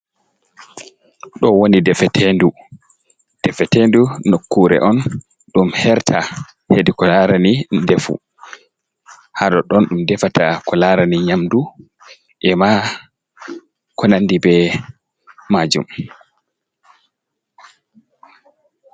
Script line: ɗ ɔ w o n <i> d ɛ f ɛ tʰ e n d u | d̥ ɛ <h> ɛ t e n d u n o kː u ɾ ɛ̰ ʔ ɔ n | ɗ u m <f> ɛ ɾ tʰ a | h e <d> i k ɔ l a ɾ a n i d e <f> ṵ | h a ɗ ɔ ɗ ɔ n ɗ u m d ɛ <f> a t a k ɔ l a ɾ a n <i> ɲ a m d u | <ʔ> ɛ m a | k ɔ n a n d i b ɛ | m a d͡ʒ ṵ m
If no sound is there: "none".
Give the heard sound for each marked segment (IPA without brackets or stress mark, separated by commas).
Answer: i, f, h, d, f, f, i, ʔ